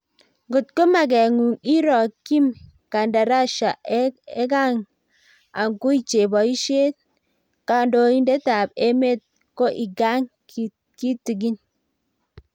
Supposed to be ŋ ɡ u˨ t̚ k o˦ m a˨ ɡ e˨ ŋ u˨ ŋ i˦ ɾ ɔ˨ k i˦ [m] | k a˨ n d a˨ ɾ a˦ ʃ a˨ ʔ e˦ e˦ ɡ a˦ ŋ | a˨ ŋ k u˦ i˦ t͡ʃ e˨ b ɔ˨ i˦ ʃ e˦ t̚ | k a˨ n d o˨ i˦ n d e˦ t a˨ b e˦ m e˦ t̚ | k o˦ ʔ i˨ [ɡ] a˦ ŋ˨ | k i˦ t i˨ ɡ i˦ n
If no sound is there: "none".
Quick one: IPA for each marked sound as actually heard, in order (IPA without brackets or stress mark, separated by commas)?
m, ɡ